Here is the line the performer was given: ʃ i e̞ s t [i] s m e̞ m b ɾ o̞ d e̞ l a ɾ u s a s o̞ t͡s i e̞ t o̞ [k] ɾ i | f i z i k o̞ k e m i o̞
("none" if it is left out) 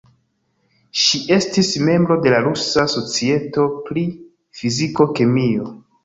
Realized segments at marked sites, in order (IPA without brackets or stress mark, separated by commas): i, p